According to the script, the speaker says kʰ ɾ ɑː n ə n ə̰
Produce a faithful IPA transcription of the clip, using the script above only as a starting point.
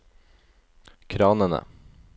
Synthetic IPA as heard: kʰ ɾ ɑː n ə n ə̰